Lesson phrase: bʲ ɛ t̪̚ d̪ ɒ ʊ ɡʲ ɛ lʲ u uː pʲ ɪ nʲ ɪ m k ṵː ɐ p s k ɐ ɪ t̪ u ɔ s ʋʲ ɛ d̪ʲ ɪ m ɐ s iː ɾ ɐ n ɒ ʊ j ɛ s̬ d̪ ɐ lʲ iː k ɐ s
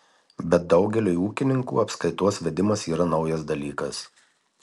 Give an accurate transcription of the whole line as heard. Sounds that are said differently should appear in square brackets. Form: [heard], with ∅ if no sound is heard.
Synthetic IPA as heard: bʲ ɛ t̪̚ d̪ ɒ ʊ ɡʲ ɛ lʲ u uː [kʲ] ɪ nʲ ɪ [ŋ] k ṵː ɐ p s k ɐ ɪ t̪ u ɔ s ʋʲ ɛ d̪ʲ ɪ m ɐ s iː ɾ ɐ n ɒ ʊ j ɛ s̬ d̪ ɐ lʲ iː k ɐ s

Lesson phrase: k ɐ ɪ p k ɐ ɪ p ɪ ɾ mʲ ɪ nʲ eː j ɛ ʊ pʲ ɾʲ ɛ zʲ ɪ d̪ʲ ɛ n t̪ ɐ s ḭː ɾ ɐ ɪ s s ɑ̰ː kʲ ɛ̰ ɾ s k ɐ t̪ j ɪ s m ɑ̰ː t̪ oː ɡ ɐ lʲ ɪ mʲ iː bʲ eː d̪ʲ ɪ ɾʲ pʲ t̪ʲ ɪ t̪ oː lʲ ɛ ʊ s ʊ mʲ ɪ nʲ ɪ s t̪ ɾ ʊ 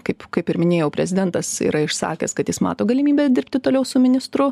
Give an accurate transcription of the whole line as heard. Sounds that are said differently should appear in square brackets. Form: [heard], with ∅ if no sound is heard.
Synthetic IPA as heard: k ɐ ɪ p k ɐ ɪ p ɪ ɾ mʲ ɪ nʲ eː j ɛ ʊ pʲ ɾʲ ɛ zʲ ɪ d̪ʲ ɛ n t̪ ɐ s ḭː ɾ ɐ ɪ [ʃ] s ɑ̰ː kʲ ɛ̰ [∅] s k ɐ t̪ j ɪ s m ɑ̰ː t̪ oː ɡ ɐ lʲ ɪ mʲ iː bʲ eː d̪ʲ ɪ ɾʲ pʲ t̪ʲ ɪ t̪ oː lʲ ɛ ʊ s ʊ mʲ ɪ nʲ ɪ s t̪ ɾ ʊ

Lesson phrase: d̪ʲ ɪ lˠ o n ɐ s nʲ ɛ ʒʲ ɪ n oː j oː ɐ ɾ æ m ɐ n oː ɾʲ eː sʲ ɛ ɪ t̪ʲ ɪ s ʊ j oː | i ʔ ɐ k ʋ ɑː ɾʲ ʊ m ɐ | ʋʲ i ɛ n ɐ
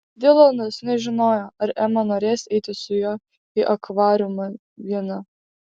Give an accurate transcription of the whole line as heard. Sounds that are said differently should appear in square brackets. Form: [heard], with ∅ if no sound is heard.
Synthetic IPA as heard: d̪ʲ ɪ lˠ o n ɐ s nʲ ɛ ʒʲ ɪ n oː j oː ɐ ɾ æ m ɐ n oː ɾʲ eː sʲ ɛ ɪ t̪ʲ ɪ s ʊ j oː | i ʔ ɐ k ʋ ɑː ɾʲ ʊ m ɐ | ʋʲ i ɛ n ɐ

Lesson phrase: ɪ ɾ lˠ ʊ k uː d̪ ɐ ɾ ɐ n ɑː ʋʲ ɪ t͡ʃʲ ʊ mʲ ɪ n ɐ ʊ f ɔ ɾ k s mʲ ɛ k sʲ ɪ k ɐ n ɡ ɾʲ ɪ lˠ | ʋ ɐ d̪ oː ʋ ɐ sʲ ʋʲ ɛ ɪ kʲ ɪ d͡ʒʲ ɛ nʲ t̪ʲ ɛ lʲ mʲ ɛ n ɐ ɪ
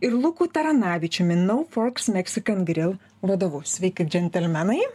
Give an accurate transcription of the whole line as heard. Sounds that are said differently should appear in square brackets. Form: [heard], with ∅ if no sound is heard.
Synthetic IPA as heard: ɪ ɾ lˠ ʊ k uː [t̪] ɐ ɾ ɐ n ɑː ʋʲ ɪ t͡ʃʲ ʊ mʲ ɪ n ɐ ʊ f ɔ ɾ k s mʲ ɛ k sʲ ɪ k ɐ n ɡ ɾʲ ɪ lˠ | ʋ ɐ d̪ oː ʋ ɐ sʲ ʋʲ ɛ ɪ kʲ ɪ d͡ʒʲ ɛ nʲ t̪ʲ ɛ lʲ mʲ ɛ n ɐ ɪ

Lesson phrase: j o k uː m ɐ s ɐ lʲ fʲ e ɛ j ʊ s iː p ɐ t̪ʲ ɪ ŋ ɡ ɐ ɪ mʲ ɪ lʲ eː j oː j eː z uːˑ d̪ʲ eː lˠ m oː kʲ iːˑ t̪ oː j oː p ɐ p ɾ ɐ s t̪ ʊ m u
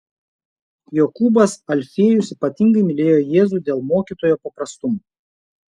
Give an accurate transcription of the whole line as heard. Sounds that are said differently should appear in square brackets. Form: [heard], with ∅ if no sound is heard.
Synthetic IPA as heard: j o k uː [b] ɐ s ɐ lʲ fʲ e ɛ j ʊ s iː p ɐ t̪ʲ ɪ ŋ ɡ ɐ ɪ mʲ ɪ lʲ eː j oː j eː z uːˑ d̪ʲ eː lˠ m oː kʲ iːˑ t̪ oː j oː p ɐ p ɾ ɐ s t̪ ʊ m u

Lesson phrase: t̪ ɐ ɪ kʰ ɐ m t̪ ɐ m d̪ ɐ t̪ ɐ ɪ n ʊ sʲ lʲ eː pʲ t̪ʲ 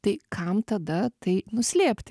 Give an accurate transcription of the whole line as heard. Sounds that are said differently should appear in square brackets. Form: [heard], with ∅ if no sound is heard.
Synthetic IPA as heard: t̪ ɐ ɪ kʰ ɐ m t̪ ɐ [∅] d̪ ɐ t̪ ɐ ɪ n ʊ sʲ lʲ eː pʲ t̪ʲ

